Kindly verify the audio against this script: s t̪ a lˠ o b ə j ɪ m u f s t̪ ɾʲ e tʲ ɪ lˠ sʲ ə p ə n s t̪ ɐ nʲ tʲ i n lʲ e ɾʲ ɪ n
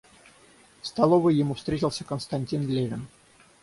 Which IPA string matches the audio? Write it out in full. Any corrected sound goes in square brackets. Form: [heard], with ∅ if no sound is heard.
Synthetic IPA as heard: s t̪ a lˠ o [v] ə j ɪ m u f s t̪ ɾʲ e tʲ ɪ lˠ sʲ ə [k] ə n s t̪ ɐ nʲ tʲ i n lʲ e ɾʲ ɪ n